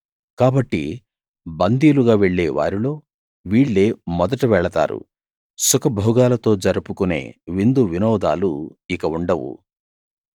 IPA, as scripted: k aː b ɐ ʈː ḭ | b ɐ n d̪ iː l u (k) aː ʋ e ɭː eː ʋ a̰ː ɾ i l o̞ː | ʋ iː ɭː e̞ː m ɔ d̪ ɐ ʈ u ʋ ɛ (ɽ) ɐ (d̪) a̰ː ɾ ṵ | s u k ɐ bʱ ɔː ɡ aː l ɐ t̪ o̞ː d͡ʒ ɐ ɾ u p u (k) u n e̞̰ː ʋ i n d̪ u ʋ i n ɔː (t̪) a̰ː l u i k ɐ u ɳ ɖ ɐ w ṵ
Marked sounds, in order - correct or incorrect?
incorrect: ɡ, incorrect: ɭ, incorrect: t̪, correct, incorrect: d̪

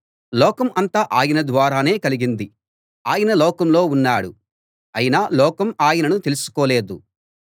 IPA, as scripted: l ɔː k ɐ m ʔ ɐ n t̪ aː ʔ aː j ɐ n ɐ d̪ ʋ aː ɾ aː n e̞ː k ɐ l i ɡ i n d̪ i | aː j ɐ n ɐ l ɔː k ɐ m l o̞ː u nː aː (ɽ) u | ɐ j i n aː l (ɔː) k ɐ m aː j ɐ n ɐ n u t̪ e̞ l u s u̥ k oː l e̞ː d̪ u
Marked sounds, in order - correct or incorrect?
correct, correct

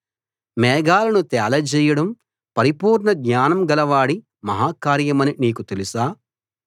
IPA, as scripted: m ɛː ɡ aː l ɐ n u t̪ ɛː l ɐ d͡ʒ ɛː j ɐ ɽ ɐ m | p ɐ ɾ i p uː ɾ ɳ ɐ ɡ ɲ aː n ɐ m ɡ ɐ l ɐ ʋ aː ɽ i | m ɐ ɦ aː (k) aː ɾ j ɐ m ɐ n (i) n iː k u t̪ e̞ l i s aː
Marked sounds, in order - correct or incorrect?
correct, correct

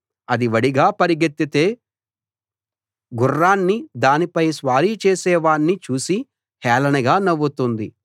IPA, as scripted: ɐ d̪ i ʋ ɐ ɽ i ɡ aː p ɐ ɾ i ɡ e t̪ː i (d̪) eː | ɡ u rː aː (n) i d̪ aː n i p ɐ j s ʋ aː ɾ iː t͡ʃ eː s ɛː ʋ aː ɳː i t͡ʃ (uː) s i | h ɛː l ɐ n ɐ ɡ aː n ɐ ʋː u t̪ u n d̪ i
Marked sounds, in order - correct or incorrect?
incorrect: t̪, incorrect: nː, correct

